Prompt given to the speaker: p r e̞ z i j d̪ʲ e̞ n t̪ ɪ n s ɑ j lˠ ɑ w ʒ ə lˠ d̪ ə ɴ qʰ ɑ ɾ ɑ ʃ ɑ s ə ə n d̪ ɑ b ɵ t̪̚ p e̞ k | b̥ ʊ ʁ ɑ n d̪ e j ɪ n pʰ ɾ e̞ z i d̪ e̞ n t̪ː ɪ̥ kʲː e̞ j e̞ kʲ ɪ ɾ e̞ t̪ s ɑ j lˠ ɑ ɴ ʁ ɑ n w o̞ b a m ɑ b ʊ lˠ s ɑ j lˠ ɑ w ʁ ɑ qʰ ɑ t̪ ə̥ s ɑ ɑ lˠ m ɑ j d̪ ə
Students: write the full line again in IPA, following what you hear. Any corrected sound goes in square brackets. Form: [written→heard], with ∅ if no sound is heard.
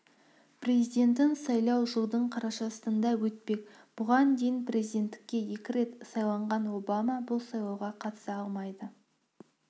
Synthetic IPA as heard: p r e̞ z i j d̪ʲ e̞ n t̪ ɪ n s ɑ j lˠ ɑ w ʒ ə lˠ d̪ ə ɴ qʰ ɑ ɾ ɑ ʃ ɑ s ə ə n d̪ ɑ [b→w] ɵ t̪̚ p e̞ k | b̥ ʊ ʁ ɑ n d̪ e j ɪ n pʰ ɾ e̞ z i d̪ e̞ n t̪ː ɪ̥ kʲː e̞ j e̞ kʲ ɪ ɾ e̞ t̪ s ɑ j lˠ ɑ ɴ ʁ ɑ n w o̞ b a m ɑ b ʊ lˠ s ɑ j lˠ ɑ w ʁ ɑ qʰ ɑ t̪ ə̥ s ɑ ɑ lˠ m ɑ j d̪ ə